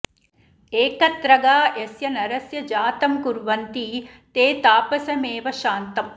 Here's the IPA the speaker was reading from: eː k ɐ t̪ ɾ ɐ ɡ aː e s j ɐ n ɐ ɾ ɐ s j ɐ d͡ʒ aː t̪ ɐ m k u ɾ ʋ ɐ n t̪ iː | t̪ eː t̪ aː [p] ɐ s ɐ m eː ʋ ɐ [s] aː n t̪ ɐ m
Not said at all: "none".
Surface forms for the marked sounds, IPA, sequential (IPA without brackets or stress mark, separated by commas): p, ʃ